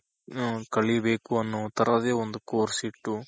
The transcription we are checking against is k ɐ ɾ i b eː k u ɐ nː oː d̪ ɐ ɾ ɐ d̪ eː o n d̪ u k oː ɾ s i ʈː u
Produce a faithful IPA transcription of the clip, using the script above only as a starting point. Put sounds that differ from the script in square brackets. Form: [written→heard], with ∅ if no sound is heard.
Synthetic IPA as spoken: k ɐ [ɾ→ɭ] i b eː k u ɐ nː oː [d̪→t̪] ɐ ɾ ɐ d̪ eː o n d̪ u k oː ɾ s i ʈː u